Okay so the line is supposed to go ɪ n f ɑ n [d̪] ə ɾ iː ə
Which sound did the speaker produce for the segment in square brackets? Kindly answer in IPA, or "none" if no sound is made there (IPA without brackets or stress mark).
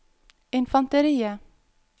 t̪